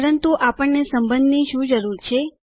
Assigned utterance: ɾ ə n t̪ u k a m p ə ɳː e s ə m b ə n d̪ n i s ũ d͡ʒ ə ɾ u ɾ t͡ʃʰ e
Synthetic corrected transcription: ɾ ə n t̪ u ʔ a p ə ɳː e s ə m b ə n d̪ n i ʃ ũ d͡ʒ ə ɾ u ɾ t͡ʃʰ e